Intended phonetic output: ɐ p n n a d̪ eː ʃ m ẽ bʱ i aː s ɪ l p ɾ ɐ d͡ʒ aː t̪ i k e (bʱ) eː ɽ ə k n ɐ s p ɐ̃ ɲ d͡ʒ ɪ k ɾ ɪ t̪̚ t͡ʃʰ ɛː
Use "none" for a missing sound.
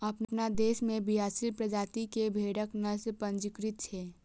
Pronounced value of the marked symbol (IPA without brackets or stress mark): bʱ